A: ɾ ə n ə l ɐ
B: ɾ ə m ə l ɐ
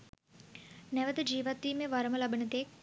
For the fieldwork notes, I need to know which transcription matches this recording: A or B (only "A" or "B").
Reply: B